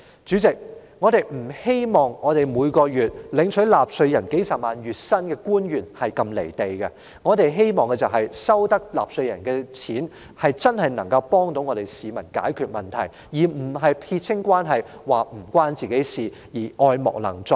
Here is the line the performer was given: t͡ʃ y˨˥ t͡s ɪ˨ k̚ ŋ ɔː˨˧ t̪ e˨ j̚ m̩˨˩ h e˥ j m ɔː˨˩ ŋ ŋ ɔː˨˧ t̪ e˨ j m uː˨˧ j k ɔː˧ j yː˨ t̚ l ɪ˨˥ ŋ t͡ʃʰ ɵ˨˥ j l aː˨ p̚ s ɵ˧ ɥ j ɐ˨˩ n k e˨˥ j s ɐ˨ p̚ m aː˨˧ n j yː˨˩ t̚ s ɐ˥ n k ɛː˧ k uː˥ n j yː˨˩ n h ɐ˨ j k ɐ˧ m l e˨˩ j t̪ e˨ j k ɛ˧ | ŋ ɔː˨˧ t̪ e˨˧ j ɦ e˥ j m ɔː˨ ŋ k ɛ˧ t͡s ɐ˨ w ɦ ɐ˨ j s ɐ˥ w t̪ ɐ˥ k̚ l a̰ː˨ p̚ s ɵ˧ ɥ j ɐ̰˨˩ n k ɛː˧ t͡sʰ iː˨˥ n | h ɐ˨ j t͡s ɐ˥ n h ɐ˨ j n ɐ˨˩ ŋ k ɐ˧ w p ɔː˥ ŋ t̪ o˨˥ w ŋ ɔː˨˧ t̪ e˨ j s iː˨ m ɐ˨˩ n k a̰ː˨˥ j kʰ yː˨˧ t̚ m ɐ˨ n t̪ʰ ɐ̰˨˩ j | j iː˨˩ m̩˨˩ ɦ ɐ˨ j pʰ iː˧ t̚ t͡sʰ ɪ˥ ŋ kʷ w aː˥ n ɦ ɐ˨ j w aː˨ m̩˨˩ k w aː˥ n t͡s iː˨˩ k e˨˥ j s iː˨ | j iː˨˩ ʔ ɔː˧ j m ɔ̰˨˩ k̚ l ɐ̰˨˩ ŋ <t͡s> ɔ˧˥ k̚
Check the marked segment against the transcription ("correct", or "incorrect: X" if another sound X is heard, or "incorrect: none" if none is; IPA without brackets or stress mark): correct